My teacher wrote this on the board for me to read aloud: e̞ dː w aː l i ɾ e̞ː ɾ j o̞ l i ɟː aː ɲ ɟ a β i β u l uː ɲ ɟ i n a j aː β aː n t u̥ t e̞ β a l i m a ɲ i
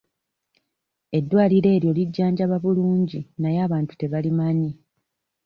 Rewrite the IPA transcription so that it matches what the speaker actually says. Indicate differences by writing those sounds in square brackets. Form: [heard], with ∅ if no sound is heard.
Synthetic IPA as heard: e̞ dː w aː l i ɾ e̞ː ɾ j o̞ l i ɟː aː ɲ ɟ a β [a] β u l uː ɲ ɟ i n a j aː β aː n t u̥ t e̞ β a l i m a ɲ i

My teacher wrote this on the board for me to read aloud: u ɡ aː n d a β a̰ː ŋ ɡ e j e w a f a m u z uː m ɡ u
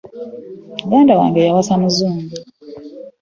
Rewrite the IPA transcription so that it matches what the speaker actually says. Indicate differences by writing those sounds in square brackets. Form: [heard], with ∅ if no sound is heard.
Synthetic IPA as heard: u ɡ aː n d a [w] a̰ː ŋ ɡ e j [a] w a [s] a m u z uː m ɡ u

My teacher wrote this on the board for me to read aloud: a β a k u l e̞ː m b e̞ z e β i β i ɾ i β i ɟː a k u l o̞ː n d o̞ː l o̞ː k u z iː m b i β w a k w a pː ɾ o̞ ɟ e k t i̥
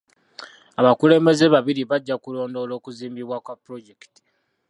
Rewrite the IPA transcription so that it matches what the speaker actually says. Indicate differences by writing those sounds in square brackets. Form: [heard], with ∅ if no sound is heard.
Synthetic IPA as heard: a β a k u l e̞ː m b e̞ z e β [a] β i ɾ i β [a] ɟː a k u l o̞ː n d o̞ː l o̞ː k u z iː m b i β w a k w a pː ɾ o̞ ɟ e k t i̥

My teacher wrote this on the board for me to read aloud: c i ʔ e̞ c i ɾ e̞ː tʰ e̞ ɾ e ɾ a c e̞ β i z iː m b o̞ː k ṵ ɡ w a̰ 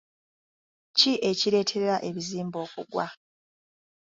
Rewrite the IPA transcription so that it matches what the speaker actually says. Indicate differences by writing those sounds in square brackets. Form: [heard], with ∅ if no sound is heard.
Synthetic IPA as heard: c i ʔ e̞ c i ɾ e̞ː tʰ e̞ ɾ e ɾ a [ʔ] e̞ β i z iː m b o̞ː k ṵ ɡ w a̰

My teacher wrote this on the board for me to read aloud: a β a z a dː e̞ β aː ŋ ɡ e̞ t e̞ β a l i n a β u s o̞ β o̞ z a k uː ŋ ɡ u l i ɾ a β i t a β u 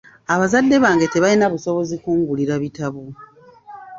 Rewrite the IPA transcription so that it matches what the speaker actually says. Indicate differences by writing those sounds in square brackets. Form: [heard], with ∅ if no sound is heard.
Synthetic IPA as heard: a β a z a dː e̞ β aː ŋ ɡ e̞ t e̞ β a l i n a β u s o̞ β o̞ z [i] k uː ŋ ɡ u l i ɾ a β i t a β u

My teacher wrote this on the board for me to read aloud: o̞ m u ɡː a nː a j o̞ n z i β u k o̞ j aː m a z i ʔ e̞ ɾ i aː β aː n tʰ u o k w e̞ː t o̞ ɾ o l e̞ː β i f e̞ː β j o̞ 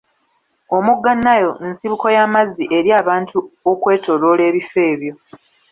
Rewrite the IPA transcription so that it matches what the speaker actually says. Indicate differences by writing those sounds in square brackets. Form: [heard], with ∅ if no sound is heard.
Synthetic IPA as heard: o̞ m u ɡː a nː a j o̞ n [s] i β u k o̞ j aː m a z i ʔ e̞ ɾ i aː β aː n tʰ u o k w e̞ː t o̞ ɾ o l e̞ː β i f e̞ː β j o̞

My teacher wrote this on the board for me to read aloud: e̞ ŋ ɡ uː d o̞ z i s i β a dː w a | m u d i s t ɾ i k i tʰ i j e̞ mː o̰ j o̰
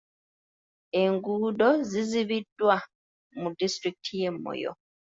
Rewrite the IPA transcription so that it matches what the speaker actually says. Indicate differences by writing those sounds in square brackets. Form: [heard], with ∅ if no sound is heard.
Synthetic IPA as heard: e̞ ŋ ɡ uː d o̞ z i [z] i β [i] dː w a | m u d i s t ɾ i k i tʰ i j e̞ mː o̰ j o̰

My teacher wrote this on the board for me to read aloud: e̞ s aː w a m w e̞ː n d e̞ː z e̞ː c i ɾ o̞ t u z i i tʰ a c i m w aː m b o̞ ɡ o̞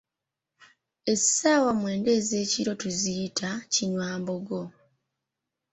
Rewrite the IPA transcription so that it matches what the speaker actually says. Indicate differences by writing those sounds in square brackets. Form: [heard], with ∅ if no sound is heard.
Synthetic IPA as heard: e̞ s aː w a m w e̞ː n d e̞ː z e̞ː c i ɾ o̞ t u z i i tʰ a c i [ɲ] w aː m b o̞ ɡ o̞

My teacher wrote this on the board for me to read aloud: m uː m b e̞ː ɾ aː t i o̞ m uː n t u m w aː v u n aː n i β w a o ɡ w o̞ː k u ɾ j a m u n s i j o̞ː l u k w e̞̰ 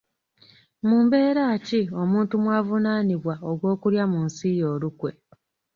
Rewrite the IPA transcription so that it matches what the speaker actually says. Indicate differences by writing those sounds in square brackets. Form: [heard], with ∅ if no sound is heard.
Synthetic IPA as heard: m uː m b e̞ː ɾ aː [c] i o̞ m uː n t u m w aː v u n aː n i β w a o ɡ w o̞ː k u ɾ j a m u n s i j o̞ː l u k w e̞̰

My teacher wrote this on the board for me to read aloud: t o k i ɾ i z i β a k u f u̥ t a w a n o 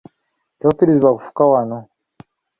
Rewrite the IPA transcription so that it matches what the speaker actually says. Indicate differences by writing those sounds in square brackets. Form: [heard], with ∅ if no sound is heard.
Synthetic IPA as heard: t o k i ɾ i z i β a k u f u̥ [k] a w a n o

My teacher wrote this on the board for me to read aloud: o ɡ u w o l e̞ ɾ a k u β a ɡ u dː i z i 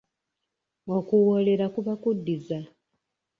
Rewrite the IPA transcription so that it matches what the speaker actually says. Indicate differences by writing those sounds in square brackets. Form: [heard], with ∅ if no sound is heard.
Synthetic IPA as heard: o [k] u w o l e̞ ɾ a k u β a [k] u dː i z [a]

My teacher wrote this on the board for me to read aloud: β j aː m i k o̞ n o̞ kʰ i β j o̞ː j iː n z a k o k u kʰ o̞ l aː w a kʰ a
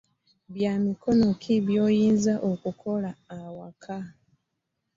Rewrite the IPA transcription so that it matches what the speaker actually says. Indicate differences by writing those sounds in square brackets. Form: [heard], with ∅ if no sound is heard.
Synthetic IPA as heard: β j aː m i k o̞ n o̞ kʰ i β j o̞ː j iː n z a [ʔ] o k u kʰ o̞ l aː w a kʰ a

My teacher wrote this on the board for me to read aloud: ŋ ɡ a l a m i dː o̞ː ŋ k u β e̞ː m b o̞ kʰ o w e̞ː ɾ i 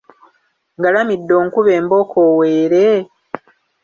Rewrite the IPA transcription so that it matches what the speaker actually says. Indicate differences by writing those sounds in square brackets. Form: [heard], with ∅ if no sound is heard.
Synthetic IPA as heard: ŋ ɡ a l a m i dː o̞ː ŋ k u β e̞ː m b o̞ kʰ o w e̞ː ɾ [e]

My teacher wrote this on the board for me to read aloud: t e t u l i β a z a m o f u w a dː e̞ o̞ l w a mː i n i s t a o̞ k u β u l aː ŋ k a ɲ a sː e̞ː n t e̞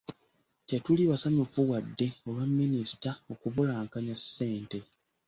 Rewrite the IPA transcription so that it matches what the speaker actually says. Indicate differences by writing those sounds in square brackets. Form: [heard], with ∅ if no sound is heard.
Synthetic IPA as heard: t e t u l i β a [s] a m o f u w a dː e̞ o̞ l w a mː i n i s t a o̞ k u β u l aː ŋ k a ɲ a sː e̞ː n t e̞

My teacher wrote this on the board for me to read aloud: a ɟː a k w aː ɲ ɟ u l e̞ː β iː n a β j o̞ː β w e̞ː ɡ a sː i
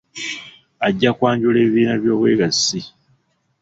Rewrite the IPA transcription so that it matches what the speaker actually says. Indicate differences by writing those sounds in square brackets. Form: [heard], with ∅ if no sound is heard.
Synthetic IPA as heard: a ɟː a k w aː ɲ ɟ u l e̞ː β iː n a β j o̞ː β w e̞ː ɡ a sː i

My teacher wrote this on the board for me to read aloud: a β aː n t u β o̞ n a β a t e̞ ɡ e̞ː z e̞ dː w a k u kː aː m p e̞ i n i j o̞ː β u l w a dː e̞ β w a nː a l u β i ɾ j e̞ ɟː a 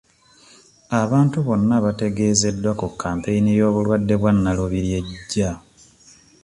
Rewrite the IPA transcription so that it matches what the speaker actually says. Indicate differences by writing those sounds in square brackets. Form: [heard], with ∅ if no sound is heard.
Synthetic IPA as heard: a β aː n t u β o̞ [nː] a β a t e̞ ɡ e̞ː z e̞ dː w a k u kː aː m p e̞ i n i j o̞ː β u l w a dː e̞ β w a nː a l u β i ɾ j e̞ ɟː a

